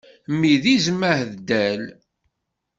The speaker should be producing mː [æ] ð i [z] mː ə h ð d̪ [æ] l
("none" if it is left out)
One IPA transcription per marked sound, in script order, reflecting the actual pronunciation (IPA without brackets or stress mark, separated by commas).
i, z, æ